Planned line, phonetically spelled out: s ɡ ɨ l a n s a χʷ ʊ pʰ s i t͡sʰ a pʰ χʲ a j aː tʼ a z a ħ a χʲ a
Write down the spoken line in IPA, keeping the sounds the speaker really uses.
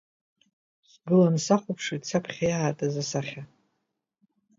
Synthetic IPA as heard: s ɡ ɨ l a n s a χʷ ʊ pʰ ʂ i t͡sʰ a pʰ χʲ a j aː tʼ a z a s a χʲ a

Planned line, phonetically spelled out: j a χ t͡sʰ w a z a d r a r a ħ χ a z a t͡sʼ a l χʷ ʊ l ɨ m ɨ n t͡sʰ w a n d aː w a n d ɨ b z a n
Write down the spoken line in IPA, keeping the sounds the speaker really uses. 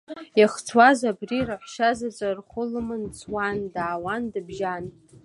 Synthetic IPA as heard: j a χ t͡sʰ w a z a b r i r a ħ ʃ a z a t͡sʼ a r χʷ ʊ l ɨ m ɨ n t͡sʰ w a n d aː w a n d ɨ b ʒ a n

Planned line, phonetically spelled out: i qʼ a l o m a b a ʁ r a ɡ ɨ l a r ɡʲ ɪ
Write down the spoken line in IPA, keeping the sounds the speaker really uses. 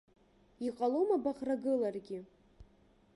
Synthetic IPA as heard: i qʼ a l o m a b a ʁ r a ɡ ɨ l a r ɡʲ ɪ

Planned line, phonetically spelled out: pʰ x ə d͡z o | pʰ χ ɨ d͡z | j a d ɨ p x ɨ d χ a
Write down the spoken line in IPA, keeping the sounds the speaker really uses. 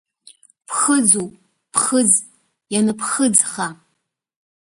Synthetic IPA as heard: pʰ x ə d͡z u | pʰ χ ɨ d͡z | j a n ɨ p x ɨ d͡z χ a

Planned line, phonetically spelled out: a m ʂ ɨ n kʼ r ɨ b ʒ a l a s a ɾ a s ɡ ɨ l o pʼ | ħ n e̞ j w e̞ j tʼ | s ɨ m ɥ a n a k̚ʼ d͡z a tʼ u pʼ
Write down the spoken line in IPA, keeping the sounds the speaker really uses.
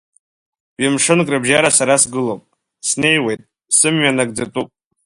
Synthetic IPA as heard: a m ʂ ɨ n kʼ r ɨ b ʒ a ɾ a s a ɾ a s ɡ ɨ l o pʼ | s n e̞ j w e̞ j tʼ | s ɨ m ɥ a n a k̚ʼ d͡z a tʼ u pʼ

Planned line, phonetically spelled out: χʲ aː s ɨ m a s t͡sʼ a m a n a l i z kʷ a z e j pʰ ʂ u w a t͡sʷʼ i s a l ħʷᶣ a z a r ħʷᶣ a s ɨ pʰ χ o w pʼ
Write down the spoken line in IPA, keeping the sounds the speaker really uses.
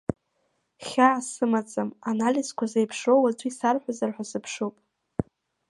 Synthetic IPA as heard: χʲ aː s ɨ m a t͡sʼ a m a n a l i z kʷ a z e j pʰ ʂ o w a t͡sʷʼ i s a r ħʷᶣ a z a r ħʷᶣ a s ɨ pʰ ʂ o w pʼ

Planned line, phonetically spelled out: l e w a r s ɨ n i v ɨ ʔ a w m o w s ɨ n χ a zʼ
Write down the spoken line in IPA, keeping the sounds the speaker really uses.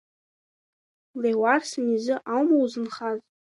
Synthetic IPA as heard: l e w a r s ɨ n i z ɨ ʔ a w m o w z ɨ n χ a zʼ

